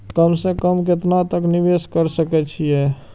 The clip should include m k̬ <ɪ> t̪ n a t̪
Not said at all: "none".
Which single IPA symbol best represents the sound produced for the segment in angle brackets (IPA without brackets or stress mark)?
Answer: ɪ